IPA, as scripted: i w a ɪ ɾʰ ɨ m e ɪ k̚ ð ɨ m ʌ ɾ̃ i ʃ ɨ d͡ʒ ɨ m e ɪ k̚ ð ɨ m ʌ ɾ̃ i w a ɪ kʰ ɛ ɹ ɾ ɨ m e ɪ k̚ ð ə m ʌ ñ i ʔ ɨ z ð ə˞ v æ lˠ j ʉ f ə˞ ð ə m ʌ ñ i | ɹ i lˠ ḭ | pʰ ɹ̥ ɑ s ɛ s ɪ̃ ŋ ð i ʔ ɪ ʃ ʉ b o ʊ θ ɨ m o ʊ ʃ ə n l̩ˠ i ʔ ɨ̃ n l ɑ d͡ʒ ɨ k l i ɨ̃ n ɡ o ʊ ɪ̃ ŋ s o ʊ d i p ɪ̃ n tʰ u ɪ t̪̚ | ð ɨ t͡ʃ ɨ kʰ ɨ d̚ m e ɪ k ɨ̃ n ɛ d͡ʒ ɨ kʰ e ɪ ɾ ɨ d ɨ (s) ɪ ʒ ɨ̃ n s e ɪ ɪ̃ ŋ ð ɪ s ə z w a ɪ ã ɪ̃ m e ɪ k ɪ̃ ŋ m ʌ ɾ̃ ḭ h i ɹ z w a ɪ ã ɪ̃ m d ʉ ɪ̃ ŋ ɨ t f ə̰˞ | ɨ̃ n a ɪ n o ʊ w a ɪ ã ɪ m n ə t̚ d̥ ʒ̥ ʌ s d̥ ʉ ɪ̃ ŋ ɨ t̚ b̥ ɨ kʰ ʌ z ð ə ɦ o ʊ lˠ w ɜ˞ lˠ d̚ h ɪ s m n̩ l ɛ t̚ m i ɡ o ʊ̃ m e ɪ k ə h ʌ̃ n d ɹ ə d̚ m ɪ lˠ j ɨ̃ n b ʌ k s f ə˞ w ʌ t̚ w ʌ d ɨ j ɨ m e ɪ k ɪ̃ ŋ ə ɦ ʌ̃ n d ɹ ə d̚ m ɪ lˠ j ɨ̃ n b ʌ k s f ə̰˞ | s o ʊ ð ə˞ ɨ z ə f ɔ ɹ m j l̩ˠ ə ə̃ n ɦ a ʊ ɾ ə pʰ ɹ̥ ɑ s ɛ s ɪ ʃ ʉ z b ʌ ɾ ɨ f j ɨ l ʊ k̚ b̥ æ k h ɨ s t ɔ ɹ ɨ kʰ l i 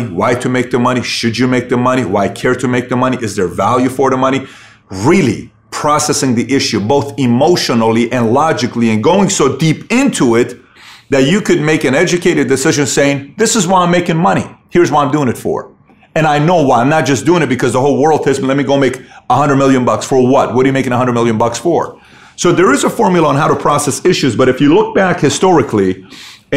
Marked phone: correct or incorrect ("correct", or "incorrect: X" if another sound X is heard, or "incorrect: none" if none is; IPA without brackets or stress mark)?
correct